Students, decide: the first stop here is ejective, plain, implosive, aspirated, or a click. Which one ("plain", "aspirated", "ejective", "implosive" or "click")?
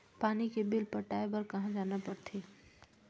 plain